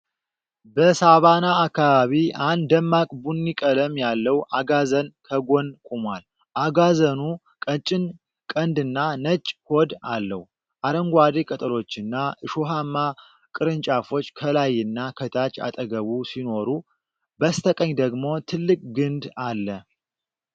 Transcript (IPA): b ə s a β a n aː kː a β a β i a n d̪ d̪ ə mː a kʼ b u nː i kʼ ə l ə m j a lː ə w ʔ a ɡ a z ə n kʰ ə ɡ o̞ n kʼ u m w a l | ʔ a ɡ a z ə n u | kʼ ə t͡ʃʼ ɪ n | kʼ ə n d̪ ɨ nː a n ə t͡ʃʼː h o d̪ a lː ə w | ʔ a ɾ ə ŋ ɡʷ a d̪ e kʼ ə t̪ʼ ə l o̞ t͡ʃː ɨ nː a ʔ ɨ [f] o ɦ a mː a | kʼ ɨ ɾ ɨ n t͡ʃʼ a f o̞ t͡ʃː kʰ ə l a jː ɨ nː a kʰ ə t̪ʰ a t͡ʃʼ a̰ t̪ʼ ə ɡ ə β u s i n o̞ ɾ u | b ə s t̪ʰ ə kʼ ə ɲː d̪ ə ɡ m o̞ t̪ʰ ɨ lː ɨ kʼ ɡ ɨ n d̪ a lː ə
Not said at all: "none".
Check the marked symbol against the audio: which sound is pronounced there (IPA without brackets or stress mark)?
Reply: ʃ